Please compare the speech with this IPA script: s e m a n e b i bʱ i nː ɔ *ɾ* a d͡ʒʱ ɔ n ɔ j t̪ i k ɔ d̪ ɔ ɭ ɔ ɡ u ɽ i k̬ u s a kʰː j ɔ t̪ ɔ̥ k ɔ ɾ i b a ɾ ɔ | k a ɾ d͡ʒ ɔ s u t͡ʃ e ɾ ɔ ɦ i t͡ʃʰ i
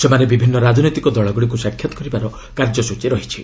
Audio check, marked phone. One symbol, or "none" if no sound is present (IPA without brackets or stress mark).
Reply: ɾ